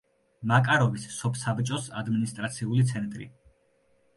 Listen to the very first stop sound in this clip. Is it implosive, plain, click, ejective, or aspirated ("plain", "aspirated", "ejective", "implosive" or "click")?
ejective